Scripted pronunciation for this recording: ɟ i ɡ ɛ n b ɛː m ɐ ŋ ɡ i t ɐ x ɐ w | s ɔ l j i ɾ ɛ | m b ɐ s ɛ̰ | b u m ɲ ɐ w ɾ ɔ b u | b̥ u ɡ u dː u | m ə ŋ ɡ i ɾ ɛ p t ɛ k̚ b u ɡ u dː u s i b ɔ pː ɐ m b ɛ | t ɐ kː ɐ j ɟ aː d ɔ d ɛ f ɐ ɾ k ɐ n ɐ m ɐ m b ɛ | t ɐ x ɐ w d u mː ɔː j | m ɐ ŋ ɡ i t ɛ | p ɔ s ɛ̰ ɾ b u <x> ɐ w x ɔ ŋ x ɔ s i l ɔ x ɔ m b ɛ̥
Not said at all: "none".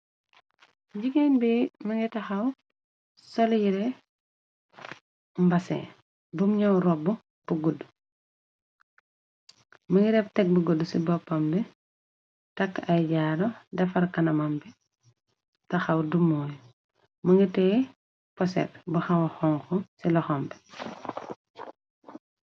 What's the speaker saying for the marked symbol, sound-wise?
x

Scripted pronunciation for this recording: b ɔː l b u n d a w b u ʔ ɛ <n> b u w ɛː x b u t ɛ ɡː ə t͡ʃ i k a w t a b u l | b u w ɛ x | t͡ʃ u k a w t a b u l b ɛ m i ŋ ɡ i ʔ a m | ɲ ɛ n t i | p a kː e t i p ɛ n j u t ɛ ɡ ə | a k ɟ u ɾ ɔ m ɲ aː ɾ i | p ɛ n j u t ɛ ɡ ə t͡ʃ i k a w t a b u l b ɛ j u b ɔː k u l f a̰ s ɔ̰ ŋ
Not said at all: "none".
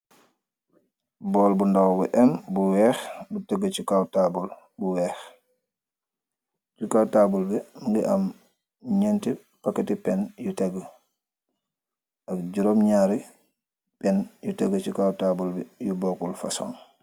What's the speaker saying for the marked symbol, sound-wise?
m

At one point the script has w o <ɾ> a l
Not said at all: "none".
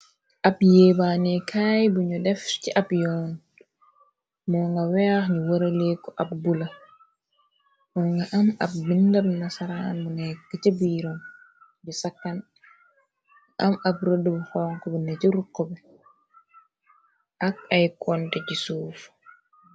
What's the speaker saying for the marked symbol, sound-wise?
ɾ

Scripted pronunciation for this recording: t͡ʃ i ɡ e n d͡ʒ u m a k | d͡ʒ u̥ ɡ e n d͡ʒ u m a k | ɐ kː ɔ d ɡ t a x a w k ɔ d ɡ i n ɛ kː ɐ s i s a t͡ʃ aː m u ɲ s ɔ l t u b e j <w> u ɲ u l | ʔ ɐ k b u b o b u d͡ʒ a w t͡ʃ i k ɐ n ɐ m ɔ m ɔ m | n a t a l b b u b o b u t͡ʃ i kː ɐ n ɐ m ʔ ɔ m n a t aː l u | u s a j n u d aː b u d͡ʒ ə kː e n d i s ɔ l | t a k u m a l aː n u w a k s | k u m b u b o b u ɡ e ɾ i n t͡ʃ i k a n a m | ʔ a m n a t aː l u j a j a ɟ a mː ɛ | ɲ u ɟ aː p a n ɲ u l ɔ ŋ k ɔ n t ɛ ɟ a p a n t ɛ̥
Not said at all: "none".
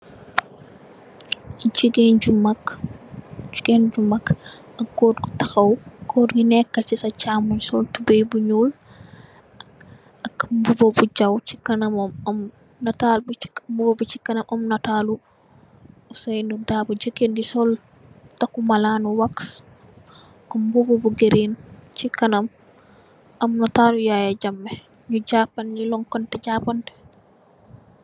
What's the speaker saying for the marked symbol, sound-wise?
b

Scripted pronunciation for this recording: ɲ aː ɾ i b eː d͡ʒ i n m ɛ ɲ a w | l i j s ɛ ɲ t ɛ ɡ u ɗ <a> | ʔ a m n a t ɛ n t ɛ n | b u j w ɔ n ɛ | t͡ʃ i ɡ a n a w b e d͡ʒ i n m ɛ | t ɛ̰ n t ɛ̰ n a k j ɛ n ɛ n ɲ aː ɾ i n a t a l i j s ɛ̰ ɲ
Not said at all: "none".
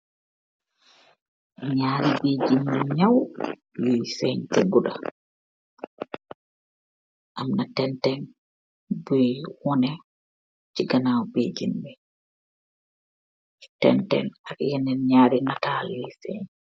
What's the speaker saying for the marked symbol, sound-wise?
a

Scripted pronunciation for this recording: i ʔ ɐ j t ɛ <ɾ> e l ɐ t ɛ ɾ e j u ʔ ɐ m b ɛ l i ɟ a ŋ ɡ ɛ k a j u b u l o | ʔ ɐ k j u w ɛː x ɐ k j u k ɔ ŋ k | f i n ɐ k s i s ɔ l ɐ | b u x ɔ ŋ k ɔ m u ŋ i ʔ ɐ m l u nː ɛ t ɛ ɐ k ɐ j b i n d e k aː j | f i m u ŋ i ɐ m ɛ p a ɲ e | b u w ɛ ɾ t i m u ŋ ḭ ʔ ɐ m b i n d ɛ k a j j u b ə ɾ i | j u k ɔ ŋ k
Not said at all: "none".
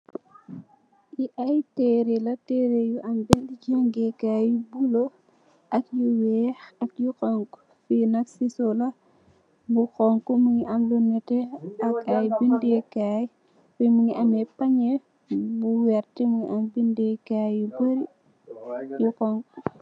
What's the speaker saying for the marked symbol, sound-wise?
ɾ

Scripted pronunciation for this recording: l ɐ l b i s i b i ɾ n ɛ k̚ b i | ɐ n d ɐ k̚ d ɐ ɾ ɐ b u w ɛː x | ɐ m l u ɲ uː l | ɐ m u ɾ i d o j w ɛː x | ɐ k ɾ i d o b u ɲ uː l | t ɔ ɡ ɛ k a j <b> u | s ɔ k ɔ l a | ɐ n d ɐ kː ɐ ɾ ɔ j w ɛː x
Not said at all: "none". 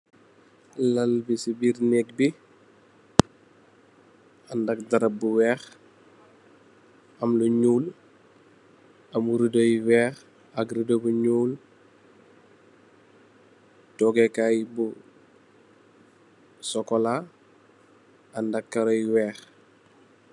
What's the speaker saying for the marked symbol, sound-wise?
b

